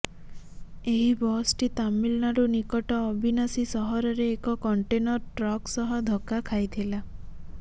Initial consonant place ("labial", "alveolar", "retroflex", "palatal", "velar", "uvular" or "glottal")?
glottal